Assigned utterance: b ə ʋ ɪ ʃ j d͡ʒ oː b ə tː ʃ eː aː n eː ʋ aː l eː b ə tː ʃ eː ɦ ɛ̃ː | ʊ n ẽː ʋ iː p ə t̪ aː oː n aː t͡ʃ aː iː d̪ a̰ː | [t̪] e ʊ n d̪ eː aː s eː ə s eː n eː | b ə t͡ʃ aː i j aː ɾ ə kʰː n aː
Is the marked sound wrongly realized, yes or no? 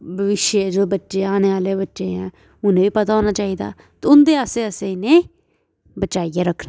no